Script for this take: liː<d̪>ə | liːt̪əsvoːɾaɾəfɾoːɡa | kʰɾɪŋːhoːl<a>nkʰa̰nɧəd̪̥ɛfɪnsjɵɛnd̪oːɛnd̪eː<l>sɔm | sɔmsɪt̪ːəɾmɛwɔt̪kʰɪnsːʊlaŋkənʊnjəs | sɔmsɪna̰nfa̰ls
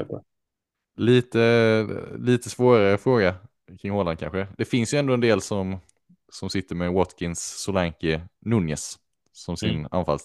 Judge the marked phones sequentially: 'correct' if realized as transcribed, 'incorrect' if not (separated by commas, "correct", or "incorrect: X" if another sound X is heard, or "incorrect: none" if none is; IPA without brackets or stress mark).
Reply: incorrect: t̪, correct, correct